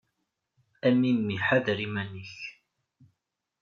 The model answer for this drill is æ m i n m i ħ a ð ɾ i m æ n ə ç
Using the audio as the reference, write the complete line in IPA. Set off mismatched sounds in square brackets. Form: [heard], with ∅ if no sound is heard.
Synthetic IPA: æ m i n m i ħ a ð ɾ i m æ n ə ç